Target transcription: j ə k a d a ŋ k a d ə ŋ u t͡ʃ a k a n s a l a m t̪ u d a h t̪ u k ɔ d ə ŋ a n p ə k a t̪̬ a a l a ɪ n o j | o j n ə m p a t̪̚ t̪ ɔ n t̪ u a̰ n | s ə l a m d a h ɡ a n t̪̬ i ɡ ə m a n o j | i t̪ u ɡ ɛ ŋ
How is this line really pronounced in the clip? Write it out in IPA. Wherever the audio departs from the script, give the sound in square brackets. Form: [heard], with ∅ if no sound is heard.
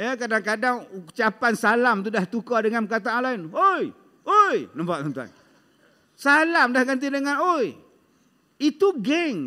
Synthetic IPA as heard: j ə k a d a ŋ k a d [a] ŋ u t͡ʃ a [p] a n s a l a m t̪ u d a h t̪ u k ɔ d ə ŋ a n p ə k a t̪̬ a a l a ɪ n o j | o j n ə m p a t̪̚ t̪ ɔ n t̪ u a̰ n | s [a] l a m d a h ɡ a n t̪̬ i [d] ə [ŋ] a n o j | i t̪ u ɡ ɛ ŋ